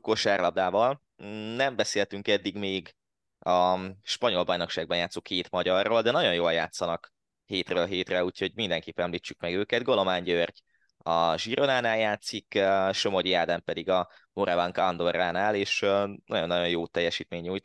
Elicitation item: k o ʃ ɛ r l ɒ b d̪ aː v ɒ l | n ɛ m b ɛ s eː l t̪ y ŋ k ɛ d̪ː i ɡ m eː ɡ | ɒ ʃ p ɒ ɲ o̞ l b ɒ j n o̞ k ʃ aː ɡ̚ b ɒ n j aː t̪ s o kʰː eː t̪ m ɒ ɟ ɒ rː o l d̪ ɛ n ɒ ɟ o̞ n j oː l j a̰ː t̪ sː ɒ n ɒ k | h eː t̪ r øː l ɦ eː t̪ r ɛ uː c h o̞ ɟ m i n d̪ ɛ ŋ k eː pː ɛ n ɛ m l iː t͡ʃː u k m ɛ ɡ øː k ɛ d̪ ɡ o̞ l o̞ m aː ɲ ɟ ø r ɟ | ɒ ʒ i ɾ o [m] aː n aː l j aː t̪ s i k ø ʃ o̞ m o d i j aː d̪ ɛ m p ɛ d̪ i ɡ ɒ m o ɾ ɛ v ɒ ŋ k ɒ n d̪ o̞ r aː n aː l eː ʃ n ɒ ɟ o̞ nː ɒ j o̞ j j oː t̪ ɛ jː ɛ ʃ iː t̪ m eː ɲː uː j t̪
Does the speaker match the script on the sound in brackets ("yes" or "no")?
no